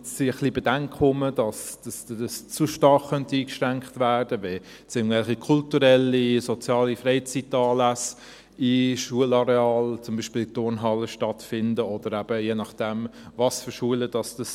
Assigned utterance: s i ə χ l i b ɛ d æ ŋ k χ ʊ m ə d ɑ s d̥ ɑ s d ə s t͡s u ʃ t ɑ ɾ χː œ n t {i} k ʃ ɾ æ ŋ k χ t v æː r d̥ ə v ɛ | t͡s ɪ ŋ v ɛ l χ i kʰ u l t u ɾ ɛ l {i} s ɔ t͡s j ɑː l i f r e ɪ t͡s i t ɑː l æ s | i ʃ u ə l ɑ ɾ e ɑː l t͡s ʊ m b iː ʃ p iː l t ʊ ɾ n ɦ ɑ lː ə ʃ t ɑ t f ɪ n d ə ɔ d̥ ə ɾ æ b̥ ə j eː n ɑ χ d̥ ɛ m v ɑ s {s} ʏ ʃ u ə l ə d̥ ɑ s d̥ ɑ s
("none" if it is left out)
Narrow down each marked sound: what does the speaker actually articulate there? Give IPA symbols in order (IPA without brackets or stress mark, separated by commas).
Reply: iː, i, f